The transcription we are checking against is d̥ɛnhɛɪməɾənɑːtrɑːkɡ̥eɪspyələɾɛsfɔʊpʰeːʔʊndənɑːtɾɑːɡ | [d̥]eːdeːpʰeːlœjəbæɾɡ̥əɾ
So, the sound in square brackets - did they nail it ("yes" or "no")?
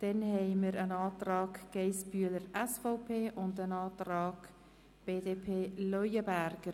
no